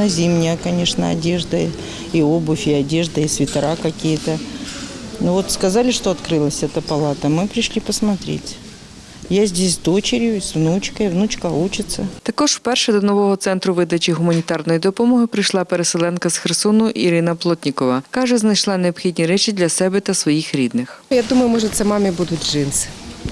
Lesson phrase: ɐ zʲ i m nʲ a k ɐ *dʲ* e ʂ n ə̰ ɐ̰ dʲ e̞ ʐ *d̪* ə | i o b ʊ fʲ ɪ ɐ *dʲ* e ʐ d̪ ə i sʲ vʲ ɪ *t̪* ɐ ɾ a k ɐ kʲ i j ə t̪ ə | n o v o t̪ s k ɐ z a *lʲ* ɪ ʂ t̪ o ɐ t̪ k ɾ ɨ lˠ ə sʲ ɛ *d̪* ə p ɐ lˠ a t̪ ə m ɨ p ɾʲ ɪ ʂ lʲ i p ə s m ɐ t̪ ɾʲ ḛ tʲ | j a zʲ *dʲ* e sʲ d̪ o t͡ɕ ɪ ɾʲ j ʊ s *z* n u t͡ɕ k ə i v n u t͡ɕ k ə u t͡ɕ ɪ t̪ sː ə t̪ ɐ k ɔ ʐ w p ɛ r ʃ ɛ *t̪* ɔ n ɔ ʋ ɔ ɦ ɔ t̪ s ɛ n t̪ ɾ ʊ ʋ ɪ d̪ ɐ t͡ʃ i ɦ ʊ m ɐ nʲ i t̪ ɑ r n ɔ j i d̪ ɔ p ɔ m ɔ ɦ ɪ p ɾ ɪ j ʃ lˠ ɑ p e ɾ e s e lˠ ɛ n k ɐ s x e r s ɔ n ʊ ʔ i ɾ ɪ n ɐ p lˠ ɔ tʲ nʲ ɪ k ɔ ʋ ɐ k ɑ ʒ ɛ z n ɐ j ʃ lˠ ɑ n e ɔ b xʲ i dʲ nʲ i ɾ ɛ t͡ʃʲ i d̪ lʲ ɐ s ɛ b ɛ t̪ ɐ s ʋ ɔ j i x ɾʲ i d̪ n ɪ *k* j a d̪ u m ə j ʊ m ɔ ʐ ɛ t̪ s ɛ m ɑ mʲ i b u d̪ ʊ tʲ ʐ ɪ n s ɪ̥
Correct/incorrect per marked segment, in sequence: incorrect: nʲ, correct, correct, correct, correct, incorrect: t̪, correct, incorrect: v, incorrect: d̪, incorrect: x

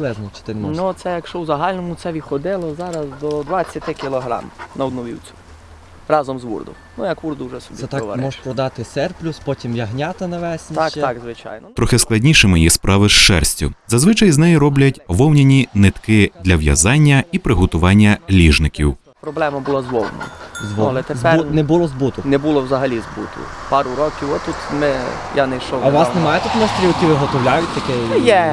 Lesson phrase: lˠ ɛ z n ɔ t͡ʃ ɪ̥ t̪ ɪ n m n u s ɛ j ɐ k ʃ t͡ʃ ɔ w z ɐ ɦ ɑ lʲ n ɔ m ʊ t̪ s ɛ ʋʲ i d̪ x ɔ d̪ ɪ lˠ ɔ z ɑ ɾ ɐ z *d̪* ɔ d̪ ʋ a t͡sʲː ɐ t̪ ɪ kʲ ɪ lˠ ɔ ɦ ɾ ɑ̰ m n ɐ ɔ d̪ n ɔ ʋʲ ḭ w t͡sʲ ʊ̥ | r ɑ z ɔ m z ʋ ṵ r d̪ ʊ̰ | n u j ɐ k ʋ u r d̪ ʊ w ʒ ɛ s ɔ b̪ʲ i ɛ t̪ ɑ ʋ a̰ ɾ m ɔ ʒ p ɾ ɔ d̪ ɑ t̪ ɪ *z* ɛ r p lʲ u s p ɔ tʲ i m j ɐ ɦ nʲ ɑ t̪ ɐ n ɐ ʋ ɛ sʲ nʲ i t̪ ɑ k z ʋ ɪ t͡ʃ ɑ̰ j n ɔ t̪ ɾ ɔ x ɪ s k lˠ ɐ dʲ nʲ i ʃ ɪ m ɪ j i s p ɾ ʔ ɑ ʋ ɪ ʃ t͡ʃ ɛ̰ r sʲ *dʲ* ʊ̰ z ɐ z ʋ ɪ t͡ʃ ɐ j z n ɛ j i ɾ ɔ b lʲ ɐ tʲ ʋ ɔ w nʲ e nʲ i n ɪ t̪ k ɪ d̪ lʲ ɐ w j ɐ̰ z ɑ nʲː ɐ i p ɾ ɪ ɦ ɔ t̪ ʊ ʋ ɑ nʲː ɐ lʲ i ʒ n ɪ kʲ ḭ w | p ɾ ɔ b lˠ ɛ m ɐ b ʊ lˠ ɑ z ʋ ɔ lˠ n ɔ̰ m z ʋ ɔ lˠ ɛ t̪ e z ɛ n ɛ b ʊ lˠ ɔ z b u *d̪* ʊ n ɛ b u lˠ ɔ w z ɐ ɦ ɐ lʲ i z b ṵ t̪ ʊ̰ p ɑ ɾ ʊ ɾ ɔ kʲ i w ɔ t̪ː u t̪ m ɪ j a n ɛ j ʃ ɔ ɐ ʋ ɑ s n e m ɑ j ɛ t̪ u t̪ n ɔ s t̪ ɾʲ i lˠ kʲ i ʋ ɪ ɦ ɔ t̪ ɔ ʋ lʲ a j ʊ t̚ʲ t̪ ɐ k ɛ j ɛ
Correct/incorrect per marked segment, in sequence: correct, incorrect: s, incorrect: tʲ, incorrect: t̪

